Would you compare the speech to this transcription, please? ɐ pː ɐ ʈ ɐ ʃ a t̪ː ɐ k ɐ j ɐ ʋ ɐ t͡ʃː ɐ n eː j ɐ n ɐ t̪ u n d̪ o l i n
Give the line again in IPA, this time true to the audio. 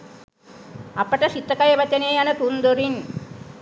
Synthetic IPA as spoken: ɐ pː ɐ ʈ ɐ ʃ i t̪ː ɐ k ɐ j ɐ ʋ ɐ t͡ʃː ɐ n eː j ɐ n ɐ t̪ u n d̪ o ɾ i n